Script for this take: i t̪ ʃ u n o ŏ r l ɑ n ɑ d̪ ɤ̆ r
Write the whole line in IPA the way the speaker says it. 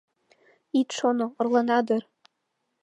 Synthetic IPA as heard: i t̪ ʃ o n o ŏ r l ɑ n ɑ d̪ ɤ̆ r